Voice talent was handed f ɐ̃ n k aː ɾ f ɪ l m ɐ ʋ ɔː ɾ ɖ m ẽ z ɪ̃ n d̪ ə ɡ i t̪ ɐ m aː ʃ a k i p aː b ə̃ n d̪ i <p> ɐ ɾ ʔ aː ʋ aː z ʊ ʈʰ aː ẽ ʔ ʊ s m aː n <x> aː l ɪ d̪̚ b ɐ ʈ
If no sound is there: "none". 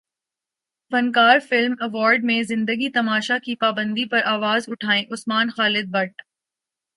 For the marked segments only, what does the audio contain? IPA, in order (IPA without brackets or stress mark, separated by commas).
p, x